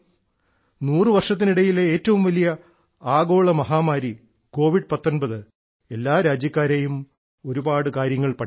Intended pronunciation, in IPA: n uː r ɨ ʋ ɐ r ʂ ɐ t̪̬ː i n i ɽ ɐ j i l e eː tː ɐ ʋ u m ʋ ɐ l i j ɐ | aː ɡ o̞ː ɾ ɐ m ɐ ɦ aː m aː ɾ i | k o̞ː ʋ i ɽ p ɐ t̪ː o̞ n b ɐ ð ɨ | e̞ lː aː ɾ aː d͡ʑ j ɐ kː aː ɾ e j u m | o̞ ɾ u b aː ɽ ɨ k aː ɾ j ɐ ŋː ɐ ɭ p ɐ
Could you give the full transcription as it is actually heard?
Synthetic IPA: n uː r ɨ ʋ ɐ r ʂ ɐ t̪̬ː i n i ɽ ɐ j i l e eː tː ɐ ʋ u m ʋ ɐ l i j ɐ | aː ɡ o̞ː ɭ ɐ m ɐ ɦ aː m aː ɾ i | k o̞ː ʋ i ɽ p ɐ t̪ː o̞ n b ɐ ð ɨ | e̞ lː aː ɾ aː d͡ʑ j ɐ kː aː ɾ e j u m | o̞ ɾ u b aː ɽ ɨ k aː ɾ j ɐ ŋː ɐ ɭ p ɐ